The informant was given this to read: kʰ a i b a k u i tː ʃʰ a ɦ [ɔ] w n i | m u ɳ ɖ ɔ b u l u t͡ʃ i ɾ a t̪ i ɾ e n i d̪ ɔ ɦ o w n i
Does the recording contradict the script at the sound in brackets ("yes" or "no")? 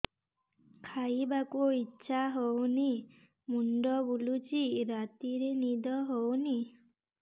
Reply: yes